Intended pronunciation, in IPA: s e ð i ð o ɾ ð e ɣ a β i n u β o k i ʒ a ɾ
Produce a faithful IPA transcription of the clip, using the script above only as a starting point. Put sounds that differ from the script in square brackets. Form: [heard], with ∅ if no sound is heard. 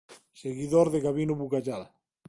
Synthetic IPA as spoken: s e [ɣ] i ð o ɾ ð e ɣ a β i n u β [u] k [a] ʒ a [l]